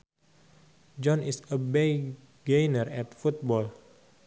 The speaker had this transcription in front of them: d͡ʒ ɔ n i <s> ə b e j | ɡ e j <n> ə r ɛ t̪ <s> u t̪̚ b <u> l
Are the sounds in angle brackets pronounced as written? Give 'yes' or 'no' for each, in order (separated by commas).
yes, yes, no, no